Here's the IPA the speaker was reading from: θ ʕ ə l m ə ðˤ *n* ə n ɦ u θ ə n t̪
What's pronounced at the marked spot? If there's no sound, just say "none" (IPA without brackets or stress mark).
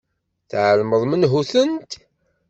m